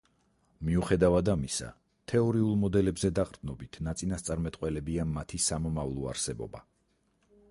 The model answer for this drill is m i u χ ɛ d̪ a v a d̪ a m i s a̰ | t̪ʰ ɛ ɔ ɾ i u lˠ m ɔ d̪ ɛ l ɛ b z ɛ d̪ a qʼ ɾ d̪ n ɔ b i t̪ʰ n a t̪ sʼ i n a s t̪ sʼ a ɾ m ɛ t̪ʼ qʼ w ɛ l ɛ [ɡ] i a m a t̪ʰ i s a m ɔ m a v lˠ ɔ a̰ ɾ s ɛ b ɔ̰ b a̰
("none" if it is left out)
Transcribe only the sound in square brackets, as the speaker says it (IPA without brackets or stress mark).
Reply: b